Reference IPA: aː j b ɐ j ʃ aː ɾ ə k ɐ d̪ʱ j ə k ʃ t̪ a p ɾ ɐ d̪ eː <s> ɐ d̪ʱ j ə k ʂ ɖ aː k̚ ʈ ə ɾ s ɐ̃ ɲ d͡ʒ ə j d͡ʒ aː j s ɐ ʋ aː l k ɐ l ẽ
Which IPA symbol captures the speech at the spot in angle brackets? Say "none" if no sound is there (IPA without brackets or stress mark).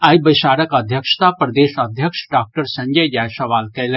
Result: ʃ